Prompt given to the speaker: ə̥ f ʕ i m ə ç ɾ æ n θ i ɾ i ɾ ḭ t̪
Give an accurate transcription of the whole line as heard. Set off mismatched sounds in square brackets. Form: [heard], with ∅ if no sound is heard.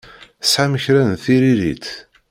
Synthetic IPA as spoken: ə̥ [s] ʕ [a] m ə ç ɾ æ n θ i ɾ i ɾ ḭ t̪